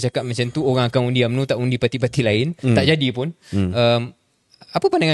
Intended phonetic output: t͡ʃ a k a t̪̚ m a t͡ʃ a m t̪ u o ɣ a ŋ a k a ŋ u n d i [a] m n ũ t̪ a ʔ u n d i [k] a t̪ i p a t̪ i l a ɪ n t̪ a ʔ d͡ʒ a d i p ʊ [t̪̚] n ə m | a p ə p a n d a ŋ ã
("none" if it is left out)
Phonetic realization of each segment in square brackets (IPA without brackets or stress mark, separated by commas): a, p, none